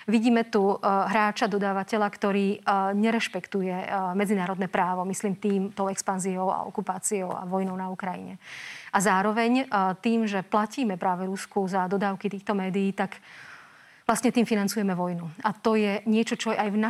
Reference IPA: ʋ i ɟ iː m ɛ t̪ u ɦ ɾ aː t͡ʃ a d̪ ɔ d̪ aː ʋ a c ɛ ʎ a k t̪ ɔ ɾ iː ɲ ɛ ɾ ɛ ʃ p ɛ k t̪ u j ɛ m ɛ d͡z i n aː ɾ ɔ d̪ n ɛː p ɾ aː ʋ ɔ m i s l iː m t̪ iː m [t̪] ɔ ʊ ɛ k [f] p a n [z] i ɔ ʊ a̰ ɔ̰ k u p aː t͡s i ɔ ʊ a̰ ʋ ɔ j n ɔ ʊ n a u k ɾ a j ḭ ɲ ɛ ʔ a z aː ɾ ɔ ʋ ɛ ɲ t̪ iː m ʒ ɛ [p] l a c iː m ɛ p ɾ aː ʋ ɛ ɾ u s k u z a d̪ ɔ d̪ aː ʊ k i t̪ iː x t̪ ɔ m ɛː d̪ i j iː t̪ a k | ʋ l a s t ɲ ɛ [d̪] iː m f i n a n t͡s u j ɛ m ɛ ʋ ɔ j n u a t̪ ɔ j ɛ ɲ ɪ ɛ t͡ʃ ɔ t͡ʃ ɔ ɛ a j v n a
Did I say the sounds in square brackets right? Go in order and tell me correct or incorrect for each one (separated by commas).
correct, incorrect, correct, correct, incorrect